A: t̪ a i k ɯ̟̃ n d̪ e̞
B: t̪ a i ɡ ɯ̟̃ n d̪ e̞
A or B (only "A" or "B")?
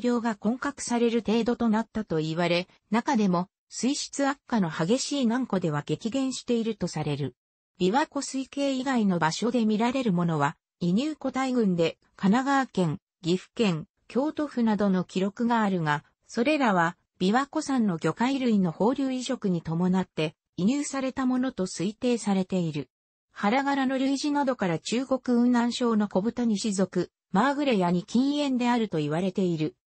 B